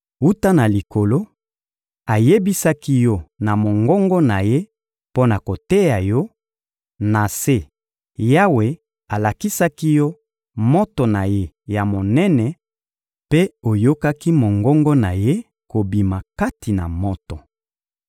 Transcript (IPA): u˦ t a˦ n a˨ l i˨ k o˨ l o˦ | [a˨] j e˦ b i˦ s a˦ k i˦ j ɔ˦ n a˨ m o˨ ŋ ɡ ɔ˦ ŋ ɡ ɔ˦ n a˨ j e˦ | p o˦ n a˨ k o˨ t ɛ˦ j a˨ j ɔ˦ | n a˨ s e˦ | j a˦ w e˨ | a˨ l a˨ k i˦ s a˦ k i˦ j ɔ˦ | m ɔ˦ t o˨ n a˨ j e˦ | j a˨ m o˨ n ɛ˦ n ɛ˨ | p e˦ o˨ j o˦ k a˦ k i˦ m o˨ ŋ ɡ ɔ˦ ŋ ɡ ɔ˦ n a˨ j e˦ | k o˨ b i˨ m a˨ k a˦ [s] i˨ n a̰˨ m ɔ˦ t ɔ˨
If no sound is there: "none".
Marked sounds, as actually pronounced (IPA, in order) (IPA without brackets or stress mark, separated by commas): a˨, t